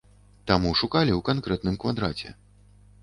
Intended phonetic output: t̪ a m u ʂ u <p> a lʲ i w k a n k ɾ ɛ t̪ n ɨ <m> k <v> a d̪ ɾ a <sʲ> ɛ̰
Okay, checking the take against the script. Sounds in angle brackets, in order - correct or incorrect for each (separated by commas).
incorrect, correct, correct, incorrect